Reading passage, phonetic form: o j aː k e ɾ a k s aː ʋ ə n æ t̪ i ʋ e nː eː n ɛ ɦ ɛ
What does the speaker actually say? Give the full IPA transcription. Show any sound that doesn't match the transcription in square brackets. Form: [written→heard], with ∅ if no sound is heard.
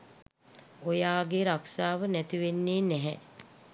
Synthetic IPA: o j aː [k→ɡ] e ɾ a k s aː ʋ ə n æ t̪ i ʋ e nː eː n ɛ ɦ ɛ